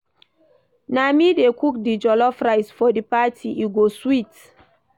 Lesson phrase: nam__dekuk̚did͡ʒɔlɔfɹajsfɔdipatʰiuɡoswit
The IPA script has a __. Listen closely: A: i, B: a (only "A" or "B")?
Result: A